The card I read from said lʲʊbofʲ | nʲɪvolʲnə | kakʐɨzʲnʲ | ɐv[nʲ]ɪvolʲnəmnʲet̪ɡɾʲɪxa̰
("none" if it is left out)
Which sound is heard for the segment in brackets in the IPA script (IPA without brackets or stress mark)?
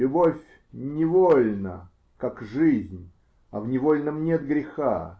nʲ